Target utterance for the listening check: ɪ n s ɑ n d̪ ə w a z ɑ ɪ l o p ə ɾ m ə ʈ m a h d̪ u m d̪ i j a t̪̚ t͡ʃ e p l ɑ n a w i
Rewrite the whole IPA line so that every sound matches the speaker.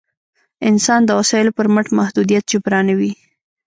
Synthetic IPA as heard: ɪ n s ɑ n d̪ ə w a s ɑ ɪ l o p ə ɾ m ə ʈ m a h d̪ u d̪ i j a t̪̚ t͡ʃ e p ɾ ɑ n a w i